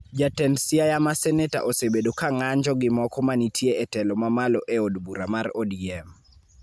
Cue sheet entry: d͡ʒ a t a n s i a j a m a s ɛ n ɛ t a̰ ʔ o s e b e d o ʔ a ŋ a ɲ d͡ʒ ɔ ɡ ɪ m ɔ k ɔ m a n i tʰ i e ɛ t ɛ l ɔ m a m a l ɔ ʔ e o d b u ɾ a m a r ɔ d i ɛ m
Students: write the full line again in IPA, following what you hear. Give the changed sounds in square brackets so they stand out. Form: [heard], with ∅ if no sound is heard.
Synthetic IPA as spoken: d͡ʒ a t [ɛ] n s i a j a m a s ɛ n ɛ t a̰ ʔ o s e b e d o [k] a ŋ a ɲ d͡ʒ ɔ ɡ ɪ m ɔ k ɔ m a n i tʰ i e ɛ t ɛ l ɔ m a m a l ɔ ʔ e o d b u ɾ a m a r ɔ d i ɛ m